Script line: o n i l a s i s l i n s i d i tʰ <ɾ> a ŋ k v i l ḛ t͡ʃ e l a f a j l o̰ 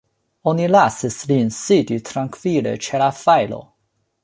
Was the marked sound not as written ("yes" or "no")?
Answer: no